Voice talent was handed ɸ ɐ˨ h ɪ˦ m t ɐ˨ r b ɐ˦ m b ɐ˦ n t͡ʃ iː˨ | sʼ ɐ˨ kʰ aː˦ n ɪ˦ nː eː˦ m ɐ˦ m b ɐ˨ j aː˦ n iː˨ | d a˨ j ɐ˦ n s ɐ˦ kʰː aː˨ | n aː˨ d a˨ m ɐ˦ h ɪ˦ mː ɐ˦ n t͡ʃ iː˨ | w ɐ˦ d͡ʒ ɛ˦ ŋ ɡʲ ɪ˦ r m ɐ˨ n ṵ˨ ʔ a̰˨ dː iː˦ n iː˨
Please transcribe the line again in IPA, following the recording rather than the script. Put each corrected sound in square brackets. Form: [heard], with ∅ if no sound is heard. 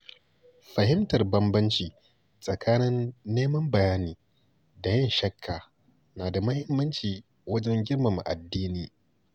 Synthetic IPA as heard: ɸ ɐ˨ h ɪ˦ m t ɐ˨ r b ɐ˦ m b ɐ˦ n t͡ʃ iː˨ | sʼ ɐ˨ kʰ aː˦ n ɪ˦ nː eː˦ m ɐ˦ m b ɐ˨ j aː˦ n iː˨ | d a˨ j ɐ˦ n [ʃ] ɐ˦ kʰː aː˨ | n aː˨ d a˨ m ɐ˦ h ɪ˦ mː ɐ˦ n t͡ʃ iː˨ | w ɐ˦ d͡ʒ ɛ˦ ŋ ɡʲ ɪ˦ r m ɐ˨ [m] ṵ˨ ʔ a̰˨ dː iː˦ n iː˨